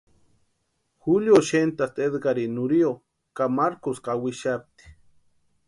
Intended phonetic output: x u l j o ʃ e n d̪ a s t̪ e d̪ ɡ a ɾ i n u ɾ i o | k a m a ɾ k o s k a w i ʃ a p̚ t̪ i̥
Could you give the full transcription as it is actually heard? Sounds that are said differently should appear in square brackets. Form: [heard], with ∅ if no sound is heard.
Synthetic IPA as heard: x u l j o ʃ e n [t̪] a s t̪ e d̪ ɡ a ɾ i n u ɾ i o | k a m a ɾ k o s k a w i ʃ a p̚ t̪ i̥